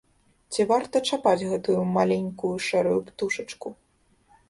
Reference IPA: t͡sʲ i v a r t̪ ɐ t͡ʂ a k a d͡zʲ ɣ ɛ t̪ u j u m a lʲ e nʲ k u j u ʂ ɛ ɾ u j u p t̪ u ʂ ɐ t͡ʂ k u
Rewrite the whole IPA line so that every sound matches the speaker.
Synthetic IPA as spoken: t͡sʲ i v a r t̪ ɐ t͡ʂ a p a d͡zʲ ɣ ɛ t̪ u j u m a lʲ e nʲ k u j u ʂ ɛ ɾ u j u p t̪ u ʂ ɐ t͡ʂ k u